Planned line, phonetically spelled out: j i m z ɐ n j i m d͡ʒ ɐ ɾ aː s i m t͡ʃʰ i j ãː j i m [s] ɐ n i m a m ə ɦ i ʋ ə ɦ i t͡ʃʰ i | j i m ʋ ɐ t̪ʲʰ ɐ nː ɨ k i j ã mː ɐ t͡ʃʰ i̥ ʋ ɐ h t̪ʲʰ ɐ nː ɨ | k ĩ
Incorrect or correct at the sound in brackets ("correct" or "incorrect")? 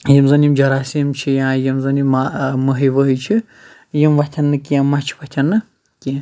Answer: incorrect